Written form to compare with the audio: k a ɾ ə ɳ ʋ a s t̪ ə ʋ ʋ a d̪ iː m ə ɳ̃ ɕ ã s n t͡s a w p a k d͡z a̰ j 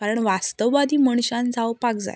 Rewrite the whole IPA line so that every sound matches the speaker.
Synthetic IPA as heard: k a ɾ ə ɳ ʋ a s t̪ ə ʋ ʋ a d̪ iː m ə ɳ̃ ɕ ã n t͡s a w p a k d͡z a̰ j